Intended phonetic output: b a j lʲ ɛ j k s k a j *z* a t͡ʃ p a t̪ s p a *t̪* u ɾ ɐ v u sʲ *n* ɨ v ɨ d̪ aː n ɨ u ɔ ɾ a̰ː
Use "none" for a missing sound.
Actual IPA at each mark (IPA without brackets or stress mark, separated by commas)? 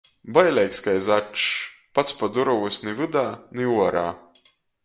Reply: z, d̪, n